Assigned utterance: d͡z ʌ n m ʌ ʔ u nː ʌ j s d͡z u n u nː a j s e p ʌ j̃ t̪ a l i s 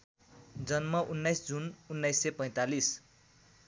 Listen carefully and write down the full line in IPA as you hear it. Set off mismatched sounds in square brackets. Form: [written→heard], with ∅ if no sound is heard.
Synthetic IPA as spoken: d͡z ʌ n m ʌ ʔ u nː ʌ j s d͡z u n u nː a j s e p ʌ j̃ t̪ a l i s